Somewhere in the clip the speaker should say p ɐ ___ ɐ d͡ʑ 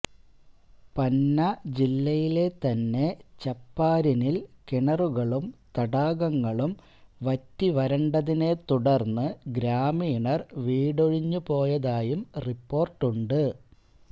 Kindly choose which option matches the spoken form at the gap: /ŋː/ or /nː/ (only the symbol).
nː